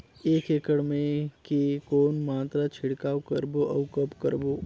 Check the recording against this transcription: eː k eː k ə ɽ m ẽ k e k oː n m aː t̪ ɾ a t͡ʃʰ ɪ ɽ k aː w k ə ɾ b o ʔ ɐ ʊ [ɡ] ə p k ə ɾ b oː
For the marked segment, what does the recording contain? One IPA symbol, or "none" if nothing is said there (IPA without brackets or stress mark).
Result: k